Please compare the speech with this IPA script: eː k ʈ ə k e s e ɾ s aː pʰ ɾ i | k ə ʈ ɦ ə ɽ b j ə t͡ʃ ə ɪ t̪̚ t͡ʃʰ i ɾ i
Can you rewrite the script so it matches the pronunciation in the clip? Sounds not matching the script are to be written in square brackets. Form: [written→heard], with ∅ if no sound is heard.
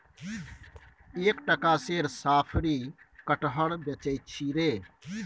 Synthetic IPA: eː k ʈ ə k [e→a] s e ɾ s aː pʰ ɾ i | k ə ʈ ɦ ə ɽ b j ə t͡ʃ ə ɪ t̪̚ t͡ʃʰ i ɾ [i→e]